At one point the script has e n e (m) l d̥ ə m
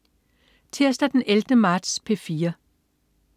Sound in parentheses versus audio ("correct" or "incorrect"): incorrect